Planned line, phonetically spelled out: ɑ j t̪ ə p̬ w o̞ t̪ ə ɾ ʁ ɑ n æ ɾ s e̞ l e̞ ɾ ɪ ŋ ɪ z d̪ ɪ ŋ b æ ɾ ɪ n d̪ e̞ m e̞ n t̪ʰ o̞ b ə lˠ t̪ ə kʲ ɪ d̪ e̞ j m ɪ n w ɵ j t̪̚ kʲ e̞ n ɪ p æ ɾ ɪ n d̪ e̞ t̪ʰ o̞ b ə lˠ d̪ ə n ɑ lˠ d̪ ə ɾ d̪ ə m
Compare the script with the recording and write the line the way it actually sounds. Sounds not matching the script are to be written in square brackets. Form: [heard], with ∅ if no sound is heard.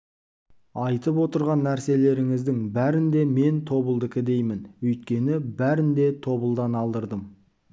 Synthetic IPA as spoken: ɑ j t̪ ə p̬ w o̞ t̪ ə ɾ ʁ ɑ [nː] æ ɾ s e̞ l e̞ ɾ ɪ ŋ ɪ z d̪ ɪ ŋ b æ ɾ ɪ n d̪ e̞ m e̞ n t̪ʰ o̞ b ə lˠ [d̪] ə kʲ ɪ d̪ e̞ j m ɪ n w ɵ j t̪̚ kʲ e̞ n ɪ [b] æ ɾ ɪ n d̪ e̞ t̪ʰ o̞ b ə lˠ d̪ [ɑ] n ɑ lˠ d̪ ə ɾ d̪ ə m